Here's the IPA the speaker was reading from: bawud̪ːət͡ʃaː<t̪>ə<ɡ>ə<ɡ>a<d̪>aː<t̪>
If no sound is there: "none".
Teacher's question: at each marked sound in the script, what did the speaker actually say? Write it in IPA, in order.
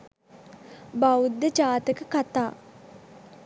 t̪, k, k, t̪, none

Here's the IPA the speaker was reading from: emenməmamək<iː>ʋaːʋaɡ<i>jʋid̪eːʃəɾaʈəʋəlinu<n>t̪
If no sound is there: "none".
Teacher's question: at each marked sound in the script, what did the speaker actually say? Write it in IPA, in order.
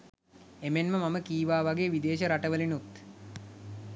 iː, e, none

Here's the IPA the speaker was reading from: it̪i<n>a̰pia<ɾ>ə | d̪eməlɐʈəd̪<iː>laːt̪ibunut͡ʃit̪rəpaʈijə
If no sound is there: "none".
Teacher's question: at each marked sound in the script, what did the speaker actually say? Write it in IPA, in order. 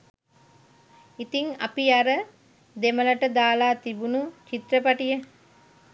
ŋ, ɾ, aː

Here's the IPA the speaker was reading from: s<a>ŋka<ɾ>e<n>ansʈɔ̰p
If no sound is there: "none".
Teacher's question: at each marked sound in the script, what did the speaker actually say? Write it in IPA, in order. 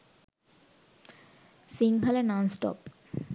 i, l, n

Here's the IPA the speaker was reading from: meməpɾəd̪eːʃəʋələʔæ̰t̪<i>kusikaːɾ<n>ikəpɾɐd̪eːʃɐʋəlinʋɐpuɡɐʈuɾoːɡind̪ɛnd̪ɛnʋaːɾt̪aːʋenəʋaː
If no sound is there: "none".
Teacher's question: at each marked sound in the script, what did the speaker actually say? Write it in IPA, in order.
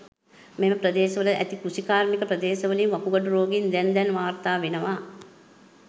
i, m

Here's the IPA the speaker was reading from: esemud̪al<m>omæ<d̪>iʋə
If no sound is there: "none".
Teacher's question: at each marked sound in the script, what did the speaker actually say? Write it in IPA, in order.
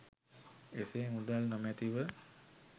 n, t̪

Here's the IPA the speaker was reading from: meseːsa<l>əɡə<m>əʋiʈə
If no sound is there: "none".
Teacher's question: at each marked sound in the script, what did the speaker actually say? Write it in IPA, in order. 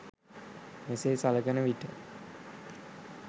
l, n

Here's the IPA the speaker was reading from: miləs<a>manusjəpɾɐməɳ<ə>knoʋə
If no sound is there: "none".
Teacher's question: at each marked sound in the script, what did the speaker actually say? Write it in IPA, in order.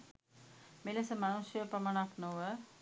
ə, a

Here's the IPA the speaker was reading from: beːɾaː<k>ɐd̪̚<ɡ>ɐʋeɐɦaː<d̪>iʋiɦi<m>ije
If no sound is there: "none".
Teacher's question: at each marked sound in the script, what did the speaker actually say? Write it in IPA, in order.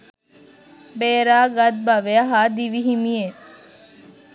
ɡ, b, d̪, m

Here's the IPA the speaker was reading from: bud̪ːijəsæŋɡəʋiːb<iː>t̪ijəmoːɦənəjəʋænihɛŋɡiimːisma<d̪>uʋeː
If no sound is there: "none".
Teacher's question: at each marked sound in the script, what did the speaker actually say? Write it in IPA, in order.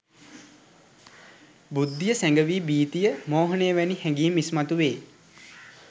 iː, t̪

